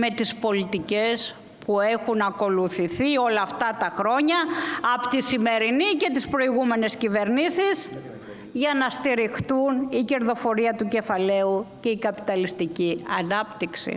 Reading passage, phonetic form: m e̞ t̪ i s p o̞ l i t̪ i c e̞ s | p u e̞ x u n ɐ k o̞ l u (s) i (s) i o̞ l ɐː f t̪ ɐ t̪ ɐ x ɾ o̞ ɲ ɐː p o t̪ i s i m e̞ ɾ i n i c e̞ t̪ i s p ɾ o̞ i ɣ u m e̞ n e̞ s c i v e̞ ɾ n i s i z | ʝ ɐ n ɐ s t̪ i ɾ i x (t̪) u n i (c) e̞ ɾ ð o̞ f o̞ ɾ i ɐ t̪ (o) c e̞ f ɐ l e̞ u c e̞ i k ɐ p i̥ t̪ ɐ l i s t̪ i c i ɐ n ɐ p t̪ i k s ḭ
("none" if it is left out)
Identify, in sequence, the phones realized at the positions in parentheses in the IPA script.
θ, θ, t̪, c, u

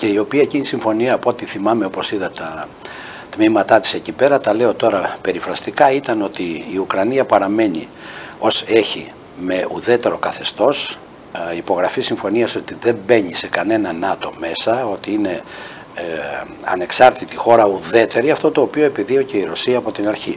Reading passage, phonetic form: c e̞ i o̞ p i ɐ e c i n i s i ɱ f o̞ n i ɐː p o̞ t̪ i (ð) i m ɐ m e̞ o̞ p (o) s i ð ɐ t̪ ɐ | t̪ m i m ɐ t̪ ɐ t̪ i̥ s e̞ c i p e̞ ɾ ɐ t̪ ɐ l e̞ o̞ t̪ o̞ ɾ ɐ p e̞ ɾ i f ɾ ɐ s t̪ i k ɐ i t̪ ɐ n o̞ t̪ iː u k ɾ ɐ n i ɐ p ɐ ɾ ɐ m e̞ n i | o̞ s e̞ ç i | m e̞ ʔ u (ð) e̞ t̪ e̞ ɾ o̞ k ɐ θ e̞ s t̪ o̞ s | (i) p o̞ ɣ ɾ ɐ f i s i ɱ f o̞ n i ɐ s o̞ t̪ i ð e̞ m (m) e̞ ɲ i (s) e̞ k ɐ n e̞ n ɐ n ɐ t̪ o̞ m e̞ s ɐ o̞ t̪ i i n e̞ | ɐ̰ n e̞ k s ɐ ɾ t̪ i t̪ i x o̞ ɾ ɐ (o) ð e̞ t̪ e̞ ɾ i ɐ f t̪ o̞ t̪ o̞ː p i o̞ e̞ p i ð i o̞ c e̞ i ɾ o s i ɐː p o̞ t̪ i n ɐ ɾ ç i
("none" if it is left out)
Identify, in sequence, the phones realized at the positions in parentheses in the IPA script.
θ, o, ð, i, b, s, u

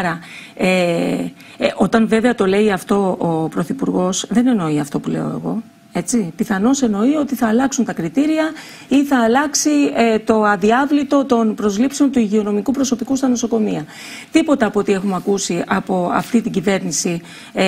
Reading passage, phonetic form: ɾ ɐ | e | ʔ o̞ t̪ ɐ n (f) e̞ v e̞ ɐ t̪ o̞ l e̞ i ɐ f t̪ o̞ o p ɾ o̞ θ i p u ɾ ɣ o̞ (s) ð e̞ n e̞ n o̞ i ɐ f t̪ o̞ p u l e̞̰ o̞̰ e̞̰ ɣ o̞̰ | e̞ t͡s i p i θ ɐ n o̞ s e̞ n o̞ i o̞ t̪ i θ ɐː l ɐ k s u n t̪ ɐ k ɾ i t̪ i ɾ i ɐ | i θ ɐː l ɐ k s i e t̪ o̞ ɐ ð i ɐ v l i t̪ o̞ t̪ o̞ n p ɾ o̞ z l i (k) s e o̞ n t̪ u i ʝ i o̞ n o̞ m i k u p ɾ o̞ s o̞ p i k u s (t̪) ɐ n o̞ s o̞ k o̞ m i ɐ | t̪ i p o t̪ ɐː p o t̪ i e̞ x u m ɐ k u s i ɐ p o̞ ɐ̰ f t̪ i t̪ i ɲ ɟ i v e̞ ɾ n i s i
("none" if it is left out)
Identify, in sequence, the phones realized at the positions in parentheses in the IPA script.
v, s, p, t̪

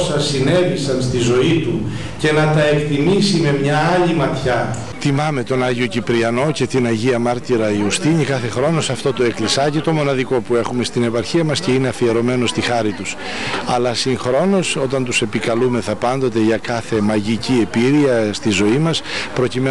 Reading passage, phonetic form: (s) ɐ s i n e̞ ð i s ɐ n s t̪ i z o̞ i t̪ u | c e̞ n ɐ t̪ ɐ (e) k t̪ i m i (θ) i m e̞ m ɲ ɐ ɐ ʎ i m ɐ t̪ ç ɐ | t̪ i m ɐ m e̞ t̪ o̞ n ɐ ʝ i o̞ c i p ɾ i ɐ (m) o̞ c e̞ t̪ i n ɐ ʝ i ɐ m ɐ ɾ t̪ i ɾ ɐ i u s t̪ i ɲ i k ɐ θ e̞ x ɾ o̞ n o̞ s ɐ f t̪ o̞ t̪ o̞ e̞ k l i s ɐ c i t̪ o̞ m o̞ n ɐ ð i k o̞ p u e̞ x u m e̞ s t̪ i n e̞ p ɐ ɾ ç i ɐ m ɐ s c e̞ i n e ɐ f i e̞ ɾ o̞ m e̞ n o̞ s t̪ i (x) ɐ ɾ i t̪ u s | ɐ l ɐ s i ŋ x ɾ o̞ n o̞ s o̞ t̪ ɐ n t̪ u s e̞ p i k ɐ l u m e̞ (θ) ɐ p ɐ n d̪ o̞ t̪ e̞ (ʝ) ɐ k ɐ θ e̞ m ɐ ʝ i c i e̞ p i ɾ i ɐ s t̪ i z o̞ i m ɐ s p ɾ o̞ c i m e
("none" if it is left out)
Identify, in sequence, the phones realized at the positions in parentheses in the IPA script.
s, e, s, n, x, θ, ʝ

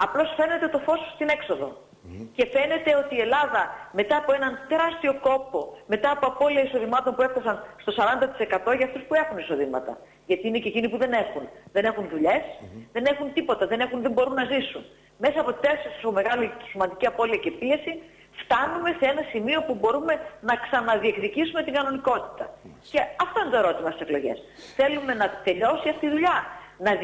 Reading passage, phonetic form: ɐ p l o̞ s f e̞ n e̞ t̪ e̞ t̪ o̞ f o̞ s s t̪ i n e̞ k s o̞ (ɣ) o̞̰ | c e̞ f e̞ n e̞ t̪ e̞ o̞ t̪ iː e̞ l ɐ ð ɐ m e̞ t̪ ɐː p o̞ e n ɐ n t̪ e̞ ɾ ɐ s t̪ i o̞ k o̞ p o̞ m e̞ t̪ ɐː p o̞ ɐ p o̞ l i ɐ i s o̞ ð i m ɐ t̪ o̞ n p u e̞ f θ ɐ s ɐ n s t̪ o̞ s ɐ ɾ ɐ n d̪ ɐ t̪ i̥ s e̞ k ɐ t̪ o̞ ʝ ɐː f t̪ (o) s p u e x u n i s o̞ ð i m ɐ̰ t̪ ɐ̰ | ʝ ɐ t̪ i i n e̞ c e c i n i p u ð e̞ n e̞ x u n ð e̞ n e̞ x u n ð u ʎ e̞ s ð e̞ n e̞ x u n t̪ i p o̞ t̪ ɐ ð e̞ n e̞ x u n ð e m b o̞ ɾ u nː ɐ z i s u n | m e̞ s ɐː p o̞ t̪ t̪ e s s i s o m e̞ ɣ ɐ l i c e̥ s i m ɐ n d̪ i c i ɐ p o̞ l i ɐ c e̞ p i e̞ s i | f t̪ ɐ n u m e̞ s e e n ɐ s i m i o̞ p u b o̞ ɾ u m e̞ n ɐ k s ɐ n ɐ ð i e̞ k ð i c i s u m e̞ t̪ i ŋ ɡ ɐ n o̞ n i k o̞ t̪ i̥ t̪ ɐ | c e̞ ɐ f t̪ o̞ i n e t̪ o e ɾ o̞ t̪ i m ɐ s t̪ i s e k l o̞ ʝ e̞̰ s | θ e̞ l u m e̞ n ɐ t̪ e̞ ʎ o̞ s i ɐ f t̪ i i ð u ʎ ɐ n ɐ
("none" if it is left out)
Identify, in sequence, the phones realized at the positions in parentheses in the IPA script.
ð, u

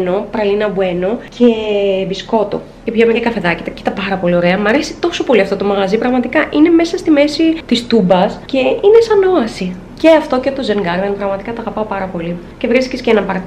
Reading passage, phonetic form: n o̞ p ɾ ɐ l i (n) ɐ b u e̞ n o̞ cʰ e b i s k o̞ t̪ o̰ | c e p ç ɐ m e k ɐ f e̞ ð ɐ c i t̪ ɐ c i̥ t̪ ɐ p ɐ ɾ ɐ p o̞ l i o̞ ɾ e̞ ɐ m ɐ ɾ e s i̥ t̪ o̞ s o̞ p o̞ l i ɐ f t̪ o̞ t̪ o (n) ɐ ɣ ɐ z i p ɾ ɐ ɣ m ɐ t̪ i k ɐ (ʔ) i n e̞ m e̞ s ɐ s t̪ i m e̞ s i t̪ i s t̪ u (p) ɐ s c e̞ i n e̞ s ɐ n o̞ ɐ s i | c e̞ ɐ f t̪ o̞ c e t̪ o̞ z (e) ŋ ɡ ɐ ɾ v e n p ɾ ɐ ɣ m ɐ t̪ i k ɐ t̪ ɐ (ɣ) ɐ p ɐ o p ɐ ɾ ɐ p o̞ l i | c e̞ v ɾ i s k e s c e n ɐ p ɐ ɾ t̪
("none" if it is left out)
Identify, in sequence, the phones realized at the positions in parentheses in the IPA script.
n, m, ʔ, b, e, ɣ

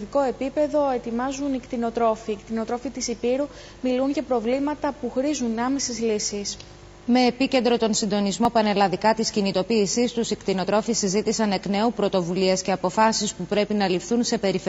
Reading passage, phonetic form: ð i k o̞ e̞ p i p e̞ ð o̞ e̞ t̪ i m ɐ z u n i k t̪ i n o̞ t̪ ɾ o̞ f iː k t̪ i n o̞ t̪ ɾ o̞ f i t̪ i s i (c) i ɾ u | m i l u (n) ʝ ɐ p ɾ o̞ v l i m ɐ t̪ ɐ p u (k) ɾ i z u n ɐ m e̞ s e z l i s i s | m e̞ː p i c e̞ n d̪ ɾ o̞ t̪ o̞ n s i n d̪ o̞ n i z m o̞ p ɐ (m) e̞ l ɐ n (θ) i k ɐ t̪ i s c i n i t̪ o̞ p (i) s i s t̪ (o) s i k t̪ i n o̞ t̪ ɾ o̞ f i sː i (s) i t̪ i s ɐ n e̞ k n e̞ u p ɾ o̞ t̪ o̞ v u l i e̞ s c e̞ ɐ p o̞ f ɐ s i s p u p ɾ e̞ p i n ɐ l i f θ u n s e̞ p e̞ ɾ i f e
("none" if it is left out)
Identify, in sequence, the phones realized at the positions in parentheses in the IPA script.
p, n, x, n, ð, iː, u, z

